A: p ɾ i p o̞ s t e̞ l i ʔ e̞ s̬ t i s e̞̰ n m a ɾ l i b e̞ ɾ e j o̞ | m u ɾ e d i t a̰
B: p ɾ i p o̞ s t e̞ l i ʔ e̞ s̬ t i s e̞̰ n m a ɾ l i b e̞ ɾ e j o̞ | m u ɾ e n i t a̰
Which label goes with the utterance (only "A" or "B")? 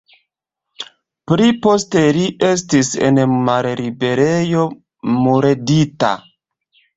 A